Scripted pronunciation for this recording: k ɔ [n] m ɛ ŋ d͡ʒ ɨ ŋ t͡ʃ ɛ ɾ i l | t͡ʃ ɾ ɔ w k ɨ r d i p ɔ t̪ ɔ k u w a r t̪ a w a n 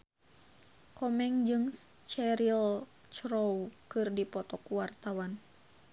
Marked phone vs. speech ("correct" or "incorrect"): incorrect